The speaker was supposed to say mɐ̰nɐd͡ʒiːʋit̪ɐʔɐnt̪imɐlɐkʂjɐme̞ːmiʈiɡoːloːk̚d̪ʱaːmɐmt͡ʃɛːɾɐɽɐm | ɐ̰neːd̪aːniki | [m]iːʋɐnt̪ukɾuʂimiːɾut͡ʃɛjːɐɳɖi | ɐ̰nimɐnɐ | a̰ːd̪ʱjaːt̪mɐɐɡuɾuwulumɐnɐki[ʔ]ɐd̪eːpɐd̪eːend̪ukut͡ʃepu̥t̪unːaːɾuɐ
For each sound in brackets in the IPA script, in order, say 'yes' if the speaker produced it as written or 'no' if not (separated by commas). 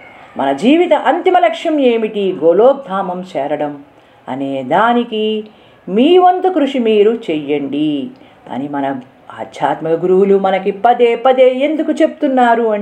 yes, no